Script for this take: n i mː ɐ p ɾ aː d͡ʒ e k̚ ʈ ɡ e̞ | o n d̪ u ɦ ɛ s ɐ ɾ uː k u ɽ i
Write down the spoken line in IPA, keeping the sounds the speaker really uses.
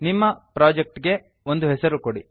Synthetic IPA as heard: n i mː ɐ p ɾ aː d͡ʒ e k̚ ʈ ɡ e̞ | o n d̪ u ɦ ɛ s ɐ ɾ u k o ɽ i